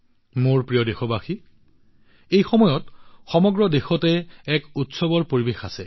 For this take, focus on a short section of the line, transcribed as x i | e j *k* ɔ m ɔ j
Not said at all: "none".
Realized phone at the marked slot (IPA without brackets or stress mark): x